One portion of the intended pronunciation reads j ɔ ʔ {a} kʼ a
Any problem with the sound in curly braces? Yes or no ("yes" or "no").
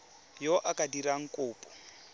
no